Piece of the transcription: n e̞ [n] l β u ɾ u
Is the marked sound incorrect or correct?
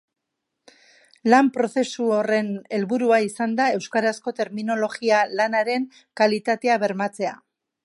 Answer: incorrect